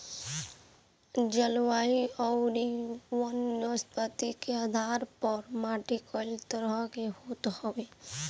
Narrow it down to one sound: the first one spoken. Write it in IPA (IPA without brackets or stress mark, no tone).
d͡ʒ